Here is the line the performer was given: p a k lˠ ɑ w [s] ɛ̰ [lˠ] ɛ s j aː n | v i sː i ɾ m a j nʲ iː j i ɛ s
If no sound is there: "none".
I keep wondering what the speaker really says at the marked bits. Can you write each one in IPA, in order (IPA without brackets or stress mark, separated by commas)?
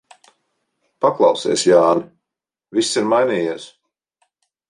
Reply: s, none